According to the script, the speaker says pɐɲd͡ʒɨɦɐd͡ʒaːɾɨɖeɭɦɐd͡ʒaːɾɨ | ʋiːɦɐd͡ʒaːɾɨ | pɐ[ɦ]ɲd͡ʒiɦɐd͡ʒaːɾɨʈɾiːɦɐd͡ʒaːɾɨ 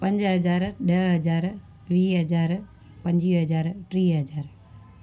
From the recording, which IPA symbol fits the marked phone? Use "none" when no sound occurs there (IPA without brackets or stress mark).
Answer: none